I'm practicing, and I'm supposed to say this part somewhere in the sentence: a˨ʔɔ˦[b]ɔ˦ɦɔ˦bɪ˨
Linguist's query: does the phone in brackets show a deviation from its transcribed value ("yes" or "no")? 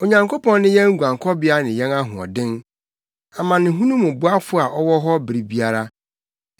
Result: yes